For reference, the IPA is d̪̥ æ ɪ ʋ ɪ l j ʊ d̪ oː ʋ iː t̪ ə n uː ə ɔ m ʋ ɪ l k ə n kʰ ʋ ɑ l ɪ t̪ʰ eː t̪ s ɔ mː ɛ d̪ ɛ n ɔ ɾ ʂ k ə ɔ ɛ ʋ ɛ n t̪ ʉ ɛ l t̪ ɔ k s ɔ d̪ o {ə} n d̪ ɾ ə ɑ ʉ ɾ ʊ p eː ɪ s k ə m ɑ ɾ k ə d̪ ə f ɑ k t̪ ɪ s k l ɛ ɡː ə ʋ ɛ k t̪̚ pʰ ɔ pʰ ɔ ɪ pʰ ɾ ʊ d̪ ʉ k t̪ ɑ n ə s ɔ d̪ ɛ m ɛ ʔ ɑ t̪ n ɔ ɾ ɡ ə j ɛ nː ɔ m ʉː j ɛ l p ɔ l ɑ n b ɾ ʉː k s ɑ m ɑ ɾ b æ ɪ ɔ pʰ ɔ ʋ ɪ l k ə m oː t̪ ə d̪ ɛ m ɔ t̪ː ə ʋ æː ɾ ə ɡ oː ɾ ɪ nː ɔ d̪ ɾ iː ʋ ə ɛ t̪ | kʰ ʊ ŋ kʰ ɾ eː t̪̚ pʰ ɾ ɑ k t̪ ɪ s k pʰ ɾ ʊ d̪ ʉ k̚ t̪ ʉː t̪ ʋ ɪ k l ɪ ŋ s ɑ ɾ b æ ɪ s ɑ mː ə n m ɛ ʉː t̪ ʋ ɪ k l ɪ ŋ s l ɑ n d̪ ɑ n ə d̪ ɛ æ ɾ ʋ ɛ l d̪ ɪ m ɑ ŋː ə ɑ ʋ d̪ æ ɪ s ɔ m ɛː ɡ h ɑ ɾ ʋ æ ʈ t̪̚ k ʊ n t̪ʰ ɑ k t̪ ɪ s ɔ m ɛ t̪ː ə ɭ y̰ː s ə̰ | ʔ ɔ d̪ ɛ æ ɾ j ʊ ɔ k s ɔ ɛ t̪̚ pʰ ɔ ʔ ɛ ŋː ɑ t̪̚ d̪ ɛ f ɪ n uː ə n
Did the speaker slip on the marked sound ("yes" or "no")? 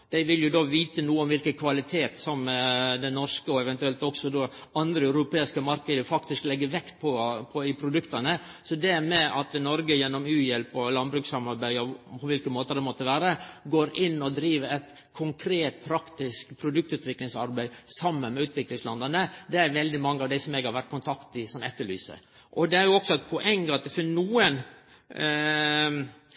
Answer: yes